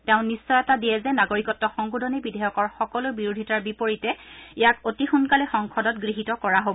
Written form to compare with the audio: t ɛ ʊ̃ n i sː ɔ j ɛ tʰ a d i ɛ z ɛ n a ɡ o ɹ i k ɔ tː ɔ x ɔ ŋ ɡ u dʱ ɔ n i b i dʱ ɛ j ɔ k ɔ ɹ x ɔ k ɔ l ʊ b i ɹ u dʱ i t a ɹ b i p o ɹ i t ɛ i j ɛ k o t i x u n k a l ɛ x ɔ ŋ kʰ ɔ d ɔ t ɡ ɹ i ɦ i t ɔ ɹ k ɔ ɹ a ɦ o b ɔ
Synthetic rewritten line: t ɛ ʊ̃ n i sː ɔ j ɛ t a d i ɛ z ɛ n a ɡ o ɹ i k ɔ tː ɔ x ɔ ŋ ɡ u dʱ ɔ n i b i dʱ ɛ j ɔ k ɔ ɹ x ɔ k ɔ l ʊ b i ɹ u dʱ i t a ɹ b i p o ɹ i t ɛ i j a k o t i x u n k a l ɛ x ɔ ŋ kʰ ɔ d ɔ t ɡ ɹ i ɦ i t ɔ k ɔ ɹ a ɦ o b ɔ